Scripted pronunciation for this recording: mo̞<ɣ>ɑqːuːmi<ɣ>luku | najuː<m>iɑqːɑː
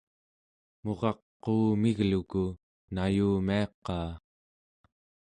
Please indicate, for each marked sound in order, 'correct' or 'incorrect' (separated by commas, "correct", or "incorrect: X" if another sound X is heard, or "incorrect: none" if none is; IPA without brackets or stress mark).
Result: incorrect: ʁ, correct, correct